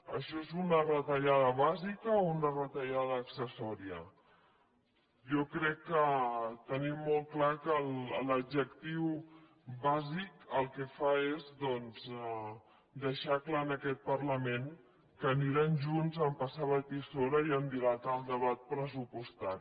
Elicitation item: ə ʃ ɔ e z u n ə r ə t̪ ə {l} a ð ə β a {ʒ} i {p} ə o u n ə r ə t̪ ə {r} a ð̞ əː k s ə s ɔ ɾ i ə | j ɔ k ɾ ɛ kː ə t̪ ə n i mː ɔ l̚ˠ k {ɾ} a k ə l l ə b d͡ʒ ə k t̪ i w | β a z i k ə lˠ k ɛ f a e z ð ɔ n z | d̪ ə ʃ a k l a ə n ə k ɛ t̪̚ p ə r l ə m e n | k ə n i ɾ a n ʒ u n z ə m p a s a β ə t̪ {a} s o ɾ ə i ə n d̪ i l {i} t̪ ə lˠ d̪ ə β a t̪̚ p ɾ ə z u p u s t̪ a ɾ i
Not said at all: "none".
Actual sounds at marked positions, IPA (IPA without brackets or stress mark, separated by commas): ʎ, z, k, ʎ, l, i, a